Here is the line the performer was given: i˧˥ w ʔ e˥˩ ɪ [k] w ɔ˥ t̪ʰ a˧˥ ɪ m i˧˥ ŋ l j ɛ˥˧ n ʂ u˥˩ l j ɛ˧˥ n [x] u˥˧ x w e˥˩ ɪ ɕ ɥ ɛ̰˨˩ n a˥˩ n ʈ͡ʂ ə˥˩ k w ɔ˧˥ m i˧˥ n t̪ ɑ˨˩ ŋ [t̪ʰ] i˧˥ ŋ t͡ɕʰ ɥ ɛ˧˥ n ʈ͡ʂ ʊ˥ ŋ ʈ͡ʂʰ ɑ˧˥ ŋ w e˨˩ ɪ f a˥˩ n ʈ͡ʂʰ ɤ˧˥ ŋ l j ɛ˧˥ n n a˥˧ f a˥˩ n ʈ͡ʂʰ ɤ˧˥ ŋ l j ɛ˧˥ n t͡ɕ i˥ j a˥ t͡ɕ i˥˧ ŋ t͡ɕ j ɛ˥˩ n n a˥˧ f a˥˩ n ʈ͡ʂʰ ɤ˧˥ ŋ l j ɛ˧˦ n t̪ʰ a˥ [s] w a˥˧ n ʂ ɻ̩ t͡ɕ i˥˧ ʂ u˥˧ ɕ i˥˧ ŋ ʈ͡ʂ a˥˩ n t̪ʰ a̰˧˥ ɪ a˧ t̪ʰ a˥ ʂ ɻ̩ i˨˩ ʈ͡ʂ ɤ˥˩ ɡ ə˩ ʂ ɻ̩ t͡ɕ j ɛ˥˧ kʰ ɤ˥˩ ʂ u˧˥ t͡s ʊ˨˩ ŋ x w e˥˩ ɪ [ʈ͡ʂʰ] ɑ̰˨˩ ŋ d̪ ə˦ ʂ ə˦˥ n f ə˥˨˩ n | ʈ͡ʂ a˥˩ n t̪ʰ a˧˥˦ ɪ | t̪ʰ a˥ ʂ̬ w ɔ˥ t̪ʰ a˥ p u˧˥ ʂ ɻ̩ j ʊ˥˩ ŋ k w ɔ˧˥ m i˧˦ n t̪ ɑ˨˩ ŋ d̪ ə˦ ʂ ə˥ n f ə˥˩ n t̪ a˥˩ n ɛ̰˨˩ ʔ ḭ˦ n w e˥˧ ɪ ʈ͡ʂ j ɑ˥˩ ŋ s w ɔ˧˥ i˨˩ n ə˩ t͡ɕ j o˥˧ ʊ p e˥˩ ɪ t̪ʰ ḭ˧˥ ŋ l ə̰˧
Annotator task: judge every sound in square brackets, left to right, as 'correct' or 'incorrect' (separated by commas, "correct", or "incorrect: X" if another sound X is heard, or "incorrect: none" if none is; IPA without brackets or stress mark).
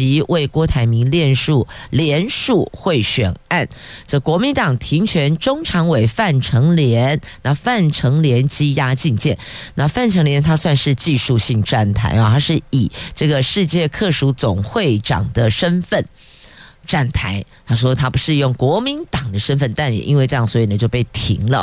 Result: correct, incorrect: ʂ, correct, correct, incorrect: ʈ͡ʂ